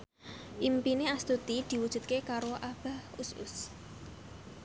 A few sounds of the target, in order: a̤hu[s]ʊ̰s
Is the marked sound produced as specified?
yes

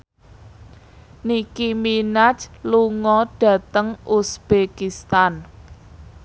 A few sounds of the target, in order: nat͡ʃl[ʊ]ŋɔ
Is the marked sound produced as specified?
no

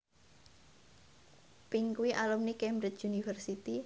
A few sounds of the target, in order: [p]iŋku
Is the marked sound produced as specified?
yes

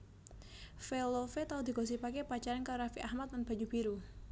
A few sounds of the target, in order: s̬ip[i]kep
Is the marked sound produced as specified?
no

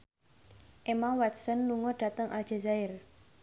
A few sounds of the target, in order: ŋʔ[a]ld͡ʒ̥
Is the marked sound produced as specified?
yes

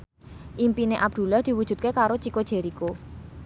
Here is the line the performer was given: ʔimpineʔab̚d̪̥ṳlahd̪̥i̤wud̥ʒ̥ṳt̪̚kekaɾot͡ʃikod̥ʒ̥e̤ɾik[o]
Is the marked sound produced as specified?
yes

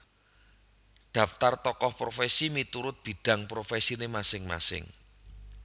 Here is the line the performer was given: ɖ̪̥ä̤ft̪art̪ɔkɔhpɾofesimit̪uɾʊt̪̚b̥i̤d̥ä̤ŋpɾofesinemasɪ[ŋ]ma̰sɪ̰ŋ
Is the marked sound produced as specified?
yes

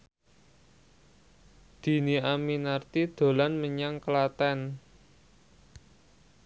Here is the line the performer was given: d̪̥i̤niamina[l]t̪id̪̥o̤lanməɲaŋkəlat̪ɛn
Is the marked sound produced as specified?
no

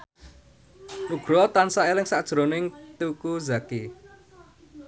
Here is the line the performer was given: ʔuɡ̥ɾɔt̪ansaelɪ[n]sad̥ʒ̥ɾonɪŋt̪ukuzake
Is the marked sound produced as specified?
no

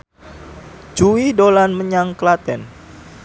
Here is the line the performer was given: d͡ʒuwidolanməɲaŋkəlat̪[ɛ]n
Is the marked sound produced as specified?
yes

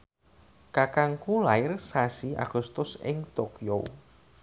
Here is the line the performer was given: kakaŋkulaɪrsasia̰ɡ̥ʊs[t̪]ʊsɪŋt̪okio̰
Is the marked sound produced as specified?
yes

